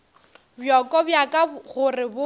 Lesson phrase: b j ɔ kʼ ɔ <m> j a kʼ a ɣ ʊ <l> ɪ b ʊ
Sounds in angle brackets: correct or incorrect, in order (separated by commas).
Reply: incorrect, incorrect